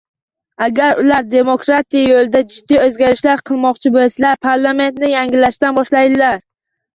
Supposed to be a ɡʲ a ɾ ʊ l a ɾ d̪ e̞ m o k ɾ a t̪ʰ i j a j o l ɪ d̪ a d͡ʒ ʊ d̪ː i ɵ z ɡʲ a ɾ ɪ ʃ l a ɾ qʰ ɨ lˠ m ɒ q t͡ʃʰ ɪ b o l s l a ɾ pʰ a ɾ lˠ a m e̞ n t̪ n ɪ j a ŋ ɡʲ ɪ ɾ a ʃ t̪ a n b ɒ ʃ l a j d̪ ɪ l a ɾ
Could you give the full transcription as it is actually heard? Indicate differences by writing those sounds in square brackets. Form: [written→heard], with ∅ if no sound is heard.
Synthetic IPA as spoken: a ɡʲ a ɾ ʊ l a ɾ d̪ e̞ m o k ɾ a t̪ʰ i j a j o l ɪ d̪ a d͡ʒ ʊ d̪ː i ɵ z ɡʲ a ɾ ɪ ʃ l a ɾ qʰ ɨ lˠ m ɒ q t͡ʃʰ ɪ b o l s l a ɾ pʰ a ɾ lˠ a m e̞ n t̪ n ɪ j a ŋ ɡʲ ɪ [ɾ→l] a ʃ t̪ a n b ɒ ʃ l a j d̪ ɪ l a ɾ